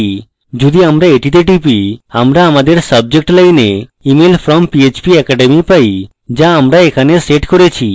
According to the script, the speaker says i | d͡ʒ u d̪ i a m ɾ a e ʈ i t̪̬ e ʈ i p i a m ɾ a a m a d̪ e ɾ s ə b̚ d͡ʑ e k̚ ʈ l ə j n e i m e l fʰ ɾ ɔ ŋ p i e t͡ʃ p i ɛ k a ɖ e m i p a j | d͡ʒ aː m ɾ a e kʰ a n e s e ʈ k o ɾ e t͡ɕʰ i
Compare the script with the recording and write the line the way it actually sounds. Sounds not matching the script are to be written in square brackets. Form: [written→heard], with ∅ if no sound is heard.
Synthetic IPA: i | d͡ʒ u d̪ i a m ɾ a e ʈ i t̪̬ e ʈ i p i a m ɾ a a m a d̪ e ɾ s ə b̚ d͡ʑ e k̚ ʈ l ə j n e i m e l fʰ ɾ ɔ [ŋ→m] p i e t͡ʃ p i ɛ k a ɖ e m i p a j | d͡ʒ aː m ɾ a e kʰ a n e s e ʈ k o ɾ e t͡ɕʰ i